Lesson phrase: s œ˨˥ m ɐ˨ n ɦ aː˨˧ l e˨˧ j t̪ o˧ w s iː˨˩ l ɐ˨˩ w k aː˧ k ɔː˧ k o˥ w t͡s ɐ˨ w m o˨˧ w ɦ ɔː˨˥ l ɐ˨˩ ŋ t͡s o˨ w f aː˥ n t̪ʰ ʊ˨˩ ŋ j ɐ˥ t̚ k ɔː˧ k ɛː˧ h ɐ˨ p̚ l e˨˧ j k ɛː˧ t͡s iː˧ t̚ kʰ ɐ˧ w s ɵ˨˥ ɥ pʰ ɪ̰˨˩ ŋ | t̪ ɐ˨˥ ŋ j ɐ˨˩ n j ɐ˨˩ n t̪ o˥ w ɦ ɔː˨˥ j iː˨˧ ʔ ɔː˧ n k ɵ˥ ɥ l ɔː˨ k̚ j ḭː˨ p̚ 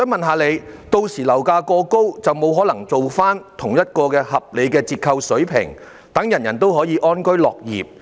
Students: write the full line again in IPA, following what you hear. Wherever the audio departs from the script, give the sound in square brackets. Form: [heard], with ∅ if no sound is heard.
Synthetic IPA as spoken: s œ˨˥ m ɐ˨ n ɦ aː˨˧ l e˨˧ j t̪ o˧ w s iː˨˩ l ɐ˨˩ w k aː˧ k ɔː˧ k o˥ w t͡s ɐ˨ w m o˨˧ w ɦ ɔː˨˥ l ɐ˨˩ ŋ t͡s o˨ w f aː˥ n t̪ʰ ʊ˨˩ ŋ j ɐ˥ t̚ k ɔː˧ k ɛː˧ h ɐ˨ p̚ l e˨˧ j k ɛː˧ t͡s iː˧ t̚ kʰ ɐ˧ w s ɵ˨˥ ɥ pʰ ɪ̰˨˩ ŋ | t̪ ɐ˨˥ ŋ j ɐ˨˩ n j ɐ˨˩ n t̪ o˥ w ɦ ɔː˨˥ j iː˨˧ ʔ [ɔː˥] n k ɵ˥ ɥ l ɔː˨ k̚ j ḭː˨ p̚